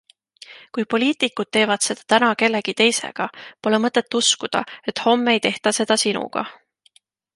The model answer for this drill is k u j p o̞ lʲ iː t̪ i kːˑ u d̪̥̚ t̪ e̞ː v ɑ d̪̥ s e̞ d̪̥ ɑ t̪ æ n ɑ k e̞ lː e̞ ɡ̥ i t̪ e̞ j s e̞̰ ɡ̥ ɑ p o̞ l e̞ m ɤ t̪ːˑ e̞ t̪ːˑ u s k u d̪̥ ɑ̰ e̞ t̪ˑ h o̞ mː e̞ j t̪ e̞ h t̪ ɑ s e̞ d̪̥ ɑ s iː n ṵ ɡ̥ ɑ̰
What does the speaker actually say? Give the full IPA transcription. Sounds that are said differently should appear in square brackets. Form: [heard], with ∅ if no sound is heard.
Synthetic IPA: k u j p o̞ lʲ iː t̪ i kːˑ u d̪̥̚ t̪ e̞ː v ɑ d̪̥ s e̞ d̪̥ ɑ t̪ æ n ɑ k e̞ lː e̞ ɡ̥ i t̪ e̞ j s e̞̰ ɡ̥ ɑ p o̞ l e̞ m ɤ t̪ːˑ e̞ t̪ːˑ u s k u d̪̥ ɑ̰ e̞ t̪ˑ h o̞ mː e̞ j t̪ e̞ h t̪ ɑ s e̞ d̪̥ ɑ s [i] n ṵ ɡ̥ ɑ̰